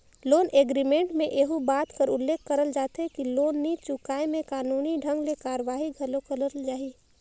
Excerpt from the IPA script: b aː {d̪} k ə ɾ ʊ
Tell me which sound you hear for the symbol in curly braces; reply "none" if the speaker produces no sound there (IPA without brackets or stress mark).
t̪